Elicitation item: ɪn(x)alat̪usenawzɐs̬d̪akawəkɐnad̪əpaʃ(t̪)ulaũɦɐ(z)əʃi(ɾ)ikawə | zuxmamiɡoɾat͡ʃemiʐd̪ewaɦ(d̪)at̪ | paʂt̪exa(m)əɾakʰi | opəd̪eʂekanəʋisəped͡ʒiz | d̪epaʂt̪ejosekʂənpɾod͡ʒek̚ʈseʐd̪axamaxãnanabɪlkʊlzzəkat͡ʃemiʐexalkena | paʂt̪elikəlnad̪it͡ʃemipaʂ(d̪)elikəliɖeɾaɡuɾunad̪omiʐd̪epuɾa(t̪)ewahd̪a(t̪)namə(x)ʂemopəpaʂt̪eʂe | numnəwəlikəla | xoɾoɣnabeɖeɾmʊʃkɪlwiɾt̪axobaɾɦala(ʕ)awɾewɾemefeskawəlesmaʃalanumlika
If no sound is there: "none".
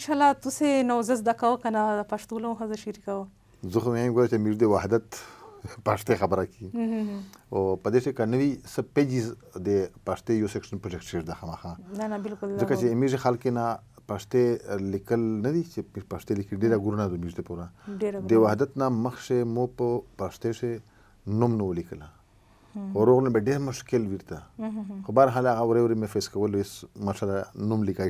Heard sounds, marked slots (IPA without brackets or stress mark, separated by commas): ʃ, t̪, z, ɾ, d̪, b, t̪, d̪, t̪, x, ɣ